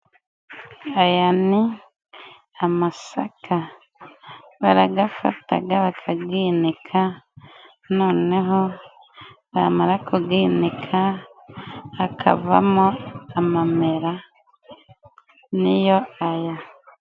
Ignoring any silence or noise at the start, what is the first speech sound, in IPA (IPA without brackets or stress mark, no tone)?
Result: a